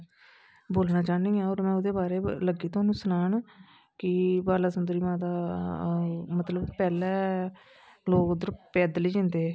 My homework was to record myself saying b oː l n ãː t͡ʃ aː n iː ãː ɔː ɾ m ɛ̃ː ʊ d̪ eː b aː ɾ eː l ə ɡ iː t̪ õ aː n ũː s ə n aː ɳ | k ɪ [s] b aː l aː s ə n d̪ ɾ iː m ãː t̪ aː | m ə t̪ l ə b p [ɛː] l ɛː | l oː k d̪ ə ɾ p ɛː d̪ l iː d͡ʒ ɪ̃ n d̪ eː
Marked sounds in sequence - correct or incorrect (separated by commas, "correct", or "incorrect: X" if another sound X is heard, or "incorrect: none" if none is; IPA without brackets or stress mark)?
incorrect: none, correct